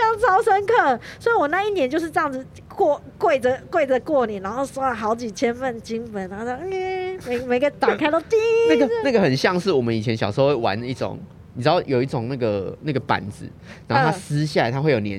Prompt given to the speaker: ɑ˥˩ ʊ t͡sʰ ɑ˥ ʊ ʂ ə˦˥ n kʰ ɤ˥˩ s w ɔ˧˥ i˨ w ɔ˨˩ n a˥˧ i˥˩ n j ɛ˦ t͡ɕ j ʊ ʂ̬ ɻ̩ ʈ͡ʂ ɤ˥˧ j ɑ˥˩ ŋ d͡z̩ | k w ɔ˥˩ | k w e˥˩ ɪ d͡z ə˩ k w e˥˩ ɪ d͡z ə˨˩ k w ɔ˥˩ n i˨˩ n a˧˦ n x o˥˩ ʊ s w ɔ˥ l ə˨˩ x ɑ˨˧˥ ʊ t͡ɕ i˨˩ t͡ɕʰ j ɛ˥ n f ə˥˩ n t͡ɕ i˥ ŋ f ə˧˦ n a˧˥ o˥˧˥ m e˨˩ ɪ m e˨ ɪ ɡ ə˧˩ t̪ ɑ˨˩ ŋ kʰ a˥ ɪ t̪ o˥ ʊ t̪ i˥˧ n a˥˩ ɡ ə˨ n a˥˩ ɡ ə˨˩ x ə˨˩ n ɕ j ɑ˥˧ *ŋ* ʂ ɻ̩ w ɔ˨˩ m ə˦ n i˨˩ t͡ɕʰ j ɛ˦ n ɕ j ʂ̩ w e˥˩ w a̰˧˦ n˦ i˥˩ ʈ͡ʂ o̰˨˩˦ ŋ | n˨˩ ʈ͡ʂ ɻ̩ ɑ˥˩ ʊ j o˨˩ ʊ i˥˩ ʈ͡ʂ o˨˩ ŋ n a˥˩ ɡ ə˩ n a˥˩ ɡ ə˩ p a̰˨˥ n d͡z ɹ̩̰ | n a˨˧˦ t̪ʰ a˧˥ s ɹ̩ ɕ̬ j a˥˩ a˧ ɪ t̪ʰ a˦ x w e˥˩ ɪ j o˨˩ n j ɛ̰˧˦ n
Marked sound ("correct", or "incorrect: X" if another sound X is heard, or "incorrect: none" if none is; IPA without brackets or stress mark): correct